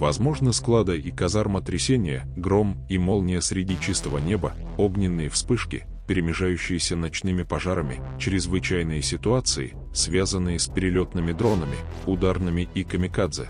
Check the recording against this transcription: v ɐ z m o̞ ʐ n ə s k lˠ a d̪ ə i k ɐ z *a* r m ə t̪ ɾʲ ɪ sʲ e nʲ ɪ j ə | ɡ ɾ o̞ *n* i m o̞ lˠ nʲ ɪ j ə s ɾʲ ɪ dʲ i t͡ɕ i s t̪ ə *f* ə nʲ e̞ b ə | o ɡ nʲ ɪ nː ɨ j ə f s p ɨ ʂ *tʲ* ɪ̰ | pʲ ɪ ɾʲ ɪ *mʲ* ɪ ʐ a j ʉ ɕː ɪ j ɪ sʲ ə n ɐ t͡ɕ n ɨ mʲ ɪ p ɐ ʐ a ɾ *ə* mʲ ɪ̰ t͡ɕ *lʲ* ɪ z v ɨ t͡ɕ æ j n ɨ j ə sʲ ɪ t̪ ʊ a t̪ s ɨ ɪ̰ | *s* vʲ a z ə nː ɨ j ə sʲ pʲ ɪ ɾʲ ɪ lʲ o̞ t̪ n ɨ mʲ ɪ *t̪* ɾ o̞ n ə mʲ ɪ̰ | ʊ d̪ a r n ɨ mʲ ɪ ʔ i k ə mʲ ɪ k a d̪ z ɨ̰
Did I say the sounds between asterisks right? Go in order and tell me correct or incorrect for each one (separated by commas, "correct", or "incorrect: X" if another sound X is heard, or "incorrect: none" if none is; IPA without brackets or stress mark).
correct, incorrect: m, incorrect: v, incorrect: kʲ, correct, correct, incorrect: ɾʲ, correct, incorrect: d̪